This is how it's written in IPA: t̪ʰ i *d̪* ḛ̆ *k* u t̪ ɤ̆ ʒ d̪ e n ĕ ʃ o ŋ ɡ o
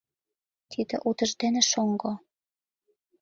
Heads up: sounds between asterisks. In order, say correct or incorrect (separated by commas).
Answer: correct, incorrect